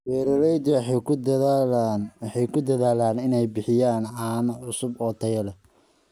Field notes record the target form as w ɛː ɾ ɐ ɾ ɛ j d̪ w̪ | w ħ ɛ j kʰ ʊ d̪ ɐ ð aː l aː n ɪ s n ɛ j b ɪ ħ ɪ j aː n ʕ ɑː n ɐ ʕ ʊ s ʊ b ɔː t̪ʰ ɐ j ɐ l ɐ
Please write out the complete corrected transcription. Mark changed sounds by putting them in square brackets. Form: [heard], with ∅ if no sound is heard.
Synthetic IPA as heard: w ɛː ɾ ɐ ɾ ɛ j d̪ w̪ | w ħ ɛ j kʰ ʊ d̪ ɐ ð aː l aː n ɪ [∅] n ɛ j b ɪ ħ ɪ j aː n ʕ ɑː n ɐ ʕ ʊ s ʊ b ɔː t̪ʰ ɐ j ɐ l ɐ

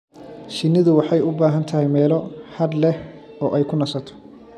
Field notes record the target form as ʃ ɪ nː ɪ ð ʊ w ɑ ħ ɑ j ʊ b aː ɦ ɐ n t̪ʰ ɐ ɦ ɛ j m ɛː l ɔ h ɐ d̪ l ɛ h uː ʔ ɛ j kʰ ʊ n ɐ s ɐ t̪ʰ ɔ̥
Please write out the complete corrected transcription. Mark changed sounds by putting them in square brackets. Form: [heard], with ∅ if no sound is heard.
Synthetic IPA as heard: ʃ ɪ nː ɪ ð ʊ w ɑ ħ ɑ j ʊ b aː ɦ ɐ n t̪ʰ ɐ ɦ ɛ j m ɛː l ɔ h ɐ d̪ l ɛ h [ɔː] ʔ ɛ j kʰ ʊ n ɐ s ɐ t̪ʰ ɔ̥

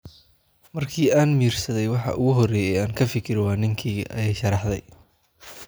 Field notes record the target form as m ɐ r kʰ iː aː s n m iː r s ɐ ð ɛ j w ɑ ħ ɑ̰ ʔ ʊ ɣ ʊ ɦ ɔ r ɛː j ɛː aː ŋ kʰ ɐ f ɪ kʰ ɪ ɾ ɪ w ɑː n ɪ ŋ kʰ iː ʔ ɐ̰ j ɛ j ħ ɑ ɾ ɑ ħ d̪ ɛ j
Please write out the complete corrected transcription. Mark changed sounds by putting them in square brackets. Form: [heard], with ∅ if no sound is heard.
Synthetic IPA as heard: m ɐ r kʰ iː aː [∅] n m iː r s ɐ ð ɛ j w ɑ ħ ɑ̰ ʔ ʊ ɣ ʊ ɦ ɔ r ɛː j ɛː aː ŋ kʰ ɐ f ɪ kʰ ɪ ɾ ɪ w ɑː n ɪ ŋ kʰ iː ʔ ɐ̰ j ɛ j [ʃ] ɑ ɾ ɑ ħ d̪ ɛ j

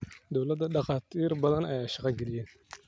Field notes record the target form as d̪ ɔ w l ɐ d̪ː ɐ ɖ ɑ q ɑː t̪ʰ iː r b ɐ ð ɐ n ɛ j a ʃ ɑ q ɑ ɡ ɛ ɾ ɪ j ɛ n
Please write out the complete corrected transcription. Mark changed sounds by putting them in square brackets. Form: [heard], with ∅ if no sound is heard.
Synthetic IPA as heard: d̪ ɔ w l ɐ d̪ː ɐ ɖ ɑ q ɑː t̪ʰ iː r b ɐ ð ɐ n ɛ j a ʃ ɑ q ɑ ɡ ɛ [l] ɪ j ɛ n

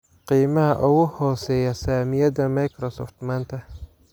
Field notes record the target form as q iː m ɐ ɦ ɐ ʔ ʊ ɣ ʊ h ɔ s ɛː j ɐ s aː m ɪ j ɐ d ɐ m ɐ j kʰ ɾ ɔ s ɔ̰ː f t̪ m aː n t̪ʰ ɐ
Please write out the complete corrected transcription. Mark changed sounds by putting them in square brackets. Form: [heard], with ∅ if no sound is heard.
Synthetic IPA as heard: q iː m ɐ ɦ ɐ ʔ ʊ ɣ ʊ h [ɔː] s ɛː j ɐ s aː m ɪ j ɐ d ɐ m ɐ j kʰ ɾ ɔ s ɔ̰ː f t̪ m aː n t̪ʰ ɐ

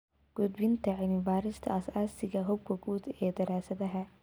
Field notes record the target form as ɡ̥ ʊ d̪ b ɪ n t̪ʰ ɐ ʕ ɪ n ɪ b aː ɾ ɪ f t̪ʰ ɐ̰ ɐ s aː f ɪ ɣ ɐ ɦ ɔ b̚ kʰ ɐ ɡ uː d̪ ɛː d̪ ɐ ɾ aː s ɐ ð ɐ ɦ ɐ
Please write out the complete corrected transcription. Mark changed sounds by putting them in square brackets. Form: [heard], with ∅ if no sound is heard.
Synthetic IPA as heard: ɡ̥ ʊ d̪ b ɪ n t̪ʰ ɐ ʕ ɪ n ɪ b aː ɾ ɪ [s] t̪ʰ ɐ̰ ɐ s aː [s] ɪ ɣ ɐ ɦ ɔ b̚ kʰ ɐ ɡ uː d̪ ɛː d̪ ɐ ɾ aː s ɐ ð ɐ ɦ ɐ

